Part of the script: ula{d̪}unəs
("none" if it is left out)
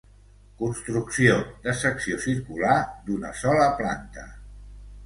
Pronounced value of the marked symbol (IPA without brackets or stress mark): d̪